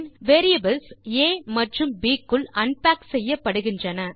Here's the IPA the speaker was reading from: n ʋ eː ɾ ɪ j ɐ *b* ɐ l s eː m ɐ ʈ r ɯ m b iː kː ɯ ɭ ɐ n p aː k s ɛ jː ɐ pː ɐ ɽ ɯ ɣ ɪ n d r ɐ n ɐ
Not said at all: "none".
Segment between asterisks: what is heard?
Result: b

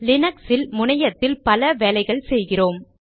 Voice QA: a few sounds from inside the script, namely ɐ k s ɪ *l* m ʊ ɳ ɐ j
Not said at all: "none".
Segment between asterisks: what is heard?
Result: l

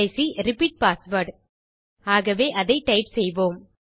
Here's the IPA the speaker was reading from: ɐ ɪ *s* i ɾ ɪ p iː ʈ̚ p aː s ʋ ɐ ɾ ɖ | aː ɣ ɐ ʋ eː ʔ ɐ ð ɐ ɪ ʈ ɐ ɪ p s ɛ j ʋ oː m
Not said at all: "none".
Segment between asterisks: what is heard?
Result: s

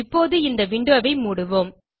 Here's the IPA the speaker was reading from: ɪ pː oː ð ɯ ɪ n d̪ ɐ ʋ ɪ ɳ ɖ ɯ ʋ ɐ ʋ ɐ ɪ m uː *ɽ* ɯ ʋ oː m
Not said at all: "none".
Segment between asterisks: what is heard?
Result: ɽ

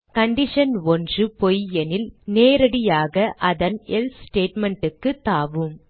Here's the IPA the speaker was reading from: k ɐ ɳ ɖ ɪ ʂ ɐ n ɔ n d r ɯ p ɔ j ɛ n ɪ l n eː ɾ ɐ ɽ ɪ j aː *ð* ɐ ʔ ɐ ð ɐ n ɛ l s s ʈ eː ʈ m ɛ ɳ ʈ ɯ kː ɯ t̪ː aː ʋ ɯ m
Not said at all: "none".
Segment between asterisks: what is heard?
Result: ɣ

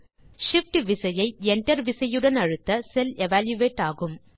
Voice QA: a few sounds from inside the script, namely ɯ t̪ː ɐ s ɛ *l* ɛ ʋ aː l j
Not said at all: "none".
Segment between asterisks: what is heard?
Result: l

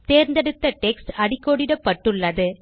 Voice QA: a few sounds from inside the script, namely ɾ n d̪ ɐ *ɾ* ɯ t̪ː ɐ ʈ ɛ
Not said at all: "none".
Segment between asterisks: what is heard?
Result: ɽ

